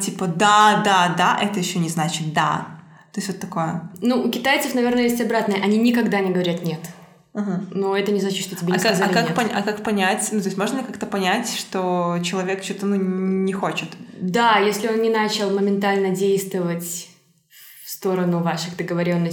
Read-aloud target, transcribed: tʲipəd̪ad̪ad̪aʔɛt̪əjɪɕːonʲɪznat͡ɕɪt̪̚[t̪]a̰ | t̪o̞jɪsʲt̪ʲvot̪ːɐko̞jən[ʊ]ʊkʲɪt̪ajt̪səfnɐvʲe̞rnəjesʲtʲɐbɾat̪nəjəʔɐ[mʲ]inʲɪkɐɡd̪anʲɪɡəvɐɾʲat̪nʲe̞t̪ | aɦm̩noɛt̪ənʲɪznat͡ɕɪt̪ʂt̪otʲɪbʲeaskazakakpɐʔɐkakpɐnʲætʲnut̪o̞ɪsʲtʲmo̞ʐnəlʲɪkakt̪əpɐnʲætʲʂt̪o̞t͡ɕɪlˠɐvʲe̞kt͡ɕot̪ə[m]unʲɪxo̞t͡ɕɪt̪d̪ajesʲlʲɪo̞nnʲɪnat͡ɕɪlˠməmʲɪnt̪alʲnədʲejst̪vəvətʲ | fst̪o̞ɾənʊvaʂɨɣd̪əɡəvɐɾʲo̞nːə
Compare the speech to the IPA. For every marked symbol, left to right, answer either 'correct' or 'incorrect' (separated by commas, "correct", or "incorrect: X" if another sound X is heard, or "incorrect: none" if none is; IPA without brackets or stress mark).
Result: incorrect: d̪, incorrect: u, incorrect: nʲ, incorrect: n